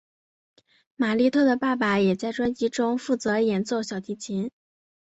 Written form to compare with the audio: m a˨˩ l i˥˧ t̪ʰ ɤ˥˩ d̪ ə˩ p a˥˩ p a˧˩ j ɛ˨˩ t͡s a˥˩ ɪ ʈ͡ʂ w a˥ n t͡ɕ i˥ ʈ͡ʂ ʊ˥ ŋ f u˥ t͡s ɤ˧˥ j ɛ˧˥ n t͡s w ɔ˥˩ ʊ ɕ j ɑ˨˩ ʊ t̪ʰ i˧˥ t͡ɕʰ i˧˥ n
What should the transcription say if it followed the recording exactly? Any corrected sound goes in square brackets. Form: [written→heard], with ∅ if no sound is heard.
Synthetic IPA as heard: m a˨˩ l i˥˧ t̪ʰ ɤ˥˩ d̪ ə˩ p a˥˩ p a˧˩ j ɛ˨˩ t͡s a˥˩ ɪ ʈ͡ʂ w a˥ n t͡ɕ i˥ ʈ͡ʂ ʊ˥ ŋ f [u˥→u˥˩] t͡s ɤ˧˥ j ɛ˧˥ n t͡s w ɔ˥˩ ʊ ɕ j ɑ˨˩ ʊ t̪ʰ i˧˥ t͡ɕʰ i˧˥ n